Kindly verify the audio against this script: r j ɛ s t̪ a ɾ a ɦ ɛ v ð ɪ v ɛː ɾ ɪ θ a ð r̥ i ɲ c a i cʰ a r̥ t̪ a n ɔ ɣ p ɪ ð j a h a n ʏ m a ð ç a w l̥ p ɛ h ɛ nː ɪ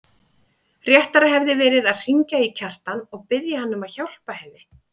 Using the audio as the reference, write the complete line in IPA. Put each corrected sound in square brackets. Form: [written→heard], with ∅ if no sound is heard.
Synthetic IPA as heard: r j ɛ [s→h] t̪ a ɾ a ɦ ɛ v ð ɪ v ɛː ɾ ɪ [θ→ð] a ð r̥ i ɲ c a i cʰ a r̥ t̪ a n ɔ ɣ p ɪ ð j a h a [n→nː] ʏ m a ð ç a w l̥ p [ɛ→a] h ɛ nː ɪ